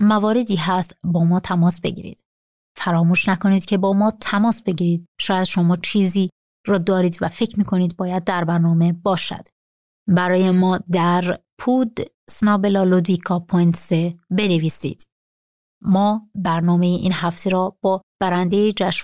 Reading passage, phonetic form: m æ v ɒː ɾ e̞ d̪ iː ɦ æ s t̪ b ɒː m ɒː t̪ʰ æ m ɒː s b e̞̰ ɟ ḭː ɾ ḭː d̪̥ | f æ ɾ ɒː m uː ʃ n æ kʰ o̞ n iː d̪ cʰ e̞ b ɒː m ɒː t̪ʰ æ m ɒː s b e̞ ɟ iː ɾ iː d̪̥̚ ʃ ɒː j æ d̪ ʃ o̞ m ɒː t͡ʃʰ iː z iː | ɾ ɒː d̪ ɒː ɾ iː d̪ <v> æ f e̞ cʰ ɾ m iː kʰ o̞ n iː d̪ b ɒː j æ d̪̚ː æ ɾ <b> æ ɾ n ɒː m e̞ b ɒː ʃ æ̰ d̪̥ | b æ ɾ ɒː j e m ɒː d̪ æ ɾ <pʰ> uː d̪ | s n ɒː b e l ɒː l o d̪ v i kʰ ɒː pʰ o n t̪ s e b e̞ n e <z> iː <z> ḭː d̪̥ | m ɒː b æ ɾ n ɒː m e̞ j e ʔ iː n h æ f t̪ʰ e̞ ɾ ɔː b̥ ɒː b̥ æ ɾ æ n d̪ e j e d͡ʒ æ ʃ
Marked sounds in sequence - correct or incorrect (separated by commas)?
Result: correct, correct, correct, incorrect, incorrect